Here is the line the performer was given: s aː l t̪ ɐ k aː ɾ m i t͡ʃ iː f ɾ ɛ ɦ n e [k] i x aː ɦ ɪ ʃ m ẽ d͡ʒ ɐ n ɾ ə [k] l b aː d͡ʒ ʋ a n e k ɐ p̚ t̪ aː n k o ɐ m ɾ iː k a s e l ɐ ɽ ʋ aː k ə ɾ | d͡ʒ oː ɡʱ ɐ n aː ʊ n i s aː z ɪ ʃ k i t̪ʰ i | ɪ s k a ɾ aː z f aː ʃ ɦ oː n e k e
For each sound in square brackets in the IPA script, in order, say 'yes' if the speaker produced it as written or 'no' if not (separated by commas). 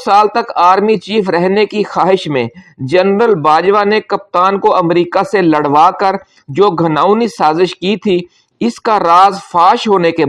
yes, no